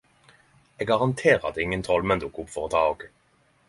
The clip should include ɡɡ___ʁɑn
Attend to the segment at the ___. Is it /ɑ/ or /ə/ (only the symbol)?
ɑ